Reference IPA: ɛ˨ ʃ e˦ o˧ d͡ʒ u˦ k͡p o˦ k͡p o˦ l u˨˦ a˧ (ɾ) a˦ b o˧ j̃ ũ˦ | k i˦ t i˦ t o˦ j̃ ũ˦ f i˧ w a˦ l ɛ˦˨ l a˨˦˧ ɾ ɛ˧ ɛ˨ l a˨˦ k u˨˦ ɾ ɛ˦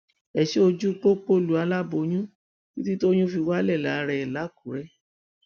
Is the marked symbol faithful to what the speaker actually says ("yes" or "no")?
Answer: no